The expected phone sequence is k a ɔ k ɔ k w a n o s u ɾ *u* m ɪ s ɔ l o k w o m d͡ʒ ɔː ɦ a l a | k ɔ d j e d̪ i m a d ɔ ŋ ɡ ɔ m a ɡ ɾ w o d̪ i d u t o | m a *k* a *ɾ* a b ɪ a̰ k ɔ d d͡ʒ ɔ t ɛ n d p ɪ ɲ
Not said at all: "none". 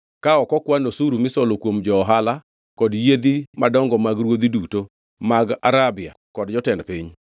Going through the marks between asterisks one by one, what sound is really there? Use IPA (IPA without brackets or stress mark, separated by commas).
u, ɡ, ɾ